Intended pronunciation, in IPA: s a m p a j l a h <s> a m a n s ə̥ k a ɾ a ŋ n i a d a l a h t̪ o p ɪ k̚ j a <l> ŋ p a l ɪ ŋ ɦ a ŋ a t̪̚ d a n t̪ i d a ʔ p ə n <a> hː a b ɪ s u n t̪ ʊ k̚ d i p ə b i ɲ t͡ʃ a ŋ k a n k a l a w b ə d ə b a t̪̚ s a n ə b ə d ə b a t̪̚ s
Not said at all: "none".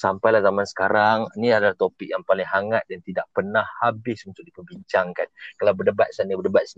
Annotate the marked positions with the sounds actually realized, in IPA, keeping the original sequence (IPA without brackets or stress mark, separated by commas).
z, none, a